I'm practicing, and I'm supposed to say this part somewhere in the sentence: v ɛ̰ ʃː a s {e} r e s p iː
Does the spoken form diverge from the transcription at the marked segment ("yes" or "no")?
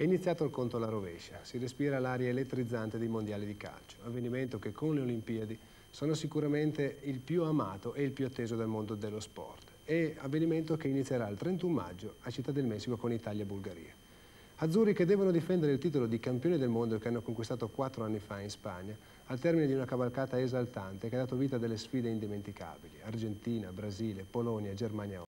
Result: yes